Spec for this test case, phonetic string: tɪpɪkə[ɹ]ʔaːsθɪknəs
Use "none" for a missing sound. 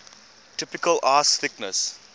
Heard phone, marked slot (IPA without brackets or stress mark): l